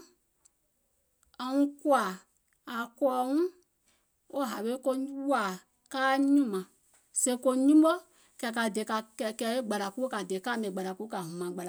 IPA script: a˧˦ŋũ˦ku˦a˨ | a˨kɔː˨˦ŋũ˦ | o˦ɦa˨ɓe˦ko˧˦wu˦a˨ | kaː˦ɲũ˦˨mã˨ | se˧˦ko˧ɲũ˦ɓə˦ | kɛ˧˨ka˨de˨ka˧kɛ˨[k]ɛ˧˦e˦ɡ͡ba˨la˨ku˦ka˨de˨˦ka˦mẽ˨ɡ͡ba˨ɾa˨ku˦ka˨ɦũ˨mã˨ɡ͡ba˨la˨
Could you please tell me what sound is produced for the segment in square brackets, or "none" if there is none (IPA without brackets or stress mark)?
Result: k